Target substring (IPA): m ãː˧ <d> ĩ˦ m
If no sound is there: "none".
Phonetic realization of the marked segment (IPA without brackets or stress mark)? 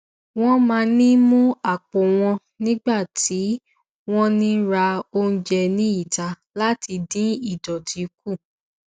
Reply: n